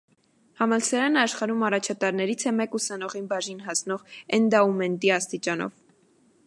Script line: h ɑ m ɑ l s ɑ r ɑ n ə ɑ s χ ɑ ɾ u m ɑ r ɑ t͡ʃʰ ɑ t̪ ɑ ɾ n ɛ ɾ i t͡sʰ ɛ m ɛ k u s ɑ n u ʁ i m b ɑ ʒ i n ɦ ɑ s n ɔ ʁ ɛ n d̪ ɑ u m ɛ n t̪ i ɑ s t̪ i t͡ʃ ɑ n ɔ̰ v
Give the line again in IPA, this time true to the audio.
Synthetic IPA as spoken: h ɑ m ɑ l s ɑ ɾ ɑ n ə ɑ ʃ χ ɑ ɾ u m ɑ r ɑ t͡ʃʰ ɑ t̪ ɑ ɾ n ɛ ɾ i t͡sʰ ɛ m ɛ k u s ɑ n ɔ ʁ i n b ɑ ʒ i n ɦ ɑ s n ɔ ʁ ɛ n d̪ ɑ u m ɛ n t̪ i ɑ s t̪ i t͡ʃ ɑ n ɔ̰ v